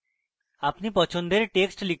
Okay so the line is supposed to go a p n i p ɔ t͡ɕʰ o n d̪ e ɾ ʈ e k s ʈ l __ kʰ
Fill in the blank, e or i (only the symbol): i